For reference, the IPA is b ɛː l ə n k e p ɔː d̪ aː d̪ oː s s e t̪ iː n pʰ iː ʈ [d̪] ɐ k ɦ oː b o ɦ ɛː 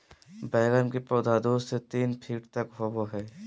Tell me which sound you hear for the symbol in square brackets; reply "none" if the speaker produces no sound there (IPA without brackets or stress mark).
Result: t̪